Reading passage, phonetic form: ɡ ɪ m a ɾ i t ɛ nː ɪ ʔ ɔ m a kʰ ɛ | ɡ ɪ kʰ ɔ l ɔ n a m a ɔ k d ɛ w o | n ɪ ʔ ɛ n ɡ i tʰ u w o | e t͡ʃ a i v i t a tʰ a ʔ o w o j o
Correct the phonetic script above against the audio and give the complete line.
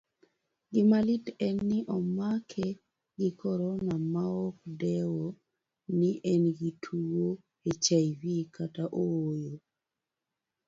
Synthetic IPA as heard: ɡ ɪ m a l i t ɛ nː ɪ ʔ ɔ m a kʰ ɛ | ɡ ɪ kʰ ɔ ɾ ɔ n a m a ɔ k d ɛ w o | n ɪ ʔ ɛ n ɡ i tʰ u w o | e t͡ʃ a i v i k a t a ʔ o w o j o